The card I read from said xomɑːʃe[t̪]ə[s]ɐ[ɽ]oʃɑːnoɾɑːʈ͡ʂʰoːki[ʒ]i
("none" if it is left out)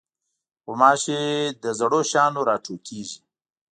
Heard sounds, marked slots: d̪, z, ɽ, ʒ

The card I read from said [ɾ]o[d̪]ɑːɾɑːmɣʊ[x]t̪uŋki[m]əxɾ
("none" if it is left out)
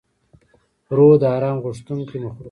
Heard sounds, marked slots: ɾ, d̪, ʂ, m

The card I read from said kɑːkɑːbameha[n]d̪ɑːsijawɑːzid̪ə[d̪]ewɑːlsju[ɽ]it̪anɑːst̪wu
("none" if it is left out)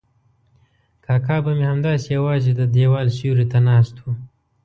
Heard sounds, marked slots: m, d̪, ɾ

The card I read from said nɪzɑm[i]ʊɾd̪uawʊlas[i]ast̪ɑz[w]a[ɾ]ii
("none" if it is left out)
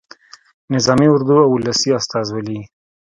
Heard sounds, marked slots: i, i, w, l

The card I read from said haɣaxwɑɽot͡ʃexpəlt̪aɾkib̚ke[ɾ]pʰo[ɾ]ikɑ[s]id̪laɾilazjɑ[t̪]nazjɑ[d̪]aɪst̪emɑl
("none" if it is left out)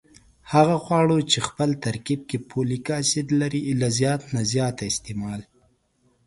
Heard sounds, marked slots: none, l, s, t̪, t̪

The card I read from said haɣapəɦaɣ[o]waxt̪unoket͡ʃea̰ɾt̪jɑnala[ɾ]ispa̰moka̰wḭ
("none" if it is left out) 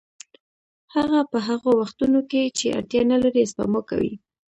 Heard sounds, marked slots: o, ɾ

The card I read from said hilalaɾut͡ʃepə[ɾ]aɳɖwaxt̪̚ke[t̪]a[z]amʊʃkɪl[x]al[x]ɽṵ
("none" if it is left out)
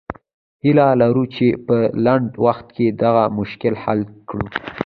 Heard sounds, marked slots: l, d̪, ɣ, h, k

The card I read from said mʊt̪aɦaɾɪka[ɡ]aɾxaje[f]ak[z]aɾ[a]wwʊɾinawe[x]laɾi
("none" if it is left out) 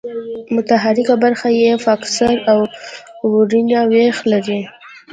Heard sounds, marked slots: b, f, s, a, x

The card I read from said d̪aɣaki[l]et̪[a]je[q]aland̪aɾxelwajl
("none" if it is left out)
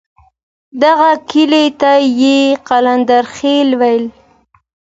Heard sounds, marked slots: l, a, q

